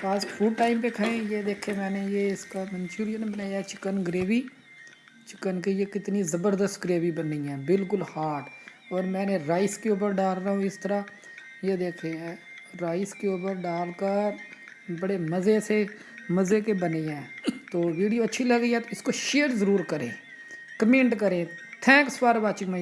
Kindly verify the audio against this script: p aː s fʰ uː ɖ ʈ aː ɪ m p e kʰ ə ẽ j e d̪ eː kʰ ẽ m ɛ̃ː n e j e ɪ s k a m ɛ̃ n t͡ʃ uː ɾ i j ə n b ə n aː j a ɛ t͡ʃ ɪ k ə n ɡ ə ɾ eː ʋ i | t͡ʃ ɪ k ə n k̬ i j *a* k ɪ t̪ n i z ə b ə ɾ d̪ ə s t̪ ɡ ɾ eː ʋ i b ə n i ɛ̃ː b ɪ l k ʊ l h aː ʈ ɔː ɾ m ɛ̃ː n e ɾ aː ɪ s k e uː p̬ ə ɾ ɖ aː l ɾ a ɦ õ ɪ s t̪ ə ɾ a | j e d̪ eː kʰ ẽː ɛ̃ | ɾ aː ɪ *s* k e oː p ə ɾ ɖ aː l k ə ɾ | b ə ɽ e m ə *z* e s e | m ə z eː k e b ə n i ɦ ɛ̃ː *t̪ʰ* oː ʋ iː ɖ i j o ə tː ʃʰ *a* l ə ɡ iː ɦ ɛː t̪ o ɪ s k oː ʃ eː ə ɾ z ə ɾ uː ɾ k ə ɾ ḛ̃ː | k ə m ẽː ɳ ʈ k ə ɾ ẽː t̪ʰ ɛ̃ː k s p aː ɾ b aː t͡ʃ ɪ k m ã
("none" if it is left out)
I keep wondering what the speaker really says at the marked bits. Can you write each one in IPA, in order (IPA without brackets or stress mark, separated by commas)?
e, s, z, t̪, i